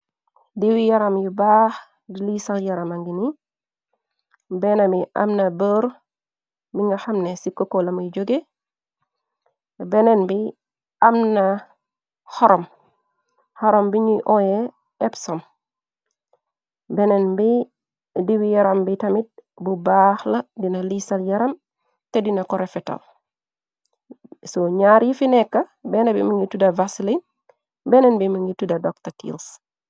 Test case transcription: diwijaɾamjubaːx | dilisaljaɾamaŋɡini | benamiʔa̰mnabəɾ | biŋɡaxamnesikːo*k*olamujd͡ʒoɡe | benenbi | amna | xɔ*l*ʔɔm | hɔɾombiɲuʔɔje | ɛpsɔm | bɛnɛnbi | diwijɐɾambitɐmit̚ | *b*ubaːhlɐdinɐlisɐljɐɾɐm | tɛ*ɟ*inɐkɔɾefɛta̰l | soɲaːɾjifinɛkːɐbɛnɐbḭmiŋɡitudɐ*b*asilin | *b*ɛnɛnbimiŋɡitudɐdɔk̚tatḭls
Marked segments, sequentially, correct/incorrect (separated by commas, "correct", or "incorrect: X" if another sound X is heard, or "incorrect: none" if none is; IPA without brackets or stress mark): correct, incorrect: ɾ, correct, incorrect: d, incorrect: v, correct